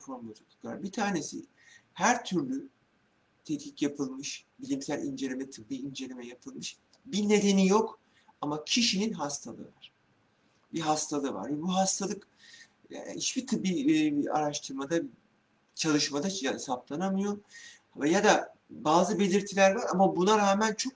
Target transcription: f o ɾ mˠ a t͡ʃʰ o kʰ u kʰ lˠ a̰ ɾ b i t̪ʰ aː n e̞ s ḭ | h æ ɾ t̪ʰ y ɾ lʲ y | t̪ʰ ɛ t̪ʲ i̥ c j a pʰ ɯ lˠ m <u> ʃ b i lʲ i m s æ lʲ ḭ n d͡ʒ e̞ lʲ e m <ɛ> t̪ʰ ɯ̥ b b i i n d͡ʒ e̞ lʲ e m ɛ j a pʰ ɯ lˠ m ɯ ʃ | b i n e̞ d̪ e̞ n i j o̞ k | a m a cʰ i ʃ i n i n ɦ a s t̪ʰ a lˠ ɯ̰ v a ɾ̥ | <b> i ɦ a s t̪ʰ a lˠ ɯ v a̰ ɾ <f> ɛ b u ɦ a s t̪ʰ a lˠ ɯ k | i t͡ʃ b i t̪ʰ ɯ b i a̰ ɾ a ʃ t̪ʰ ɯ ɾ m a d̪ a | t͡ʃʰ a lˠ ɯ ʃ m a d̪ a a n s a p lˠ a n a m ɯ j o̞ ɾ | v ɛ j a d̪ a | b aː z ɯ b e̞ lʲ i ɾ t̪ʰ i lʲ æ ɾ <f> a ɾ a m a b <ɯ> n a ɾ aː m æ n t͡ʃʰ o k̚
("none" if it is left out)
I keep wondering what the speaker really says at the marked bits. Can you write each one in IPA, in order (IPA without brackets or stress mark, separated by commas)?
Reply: ɯ, ɛ, b, v, v, u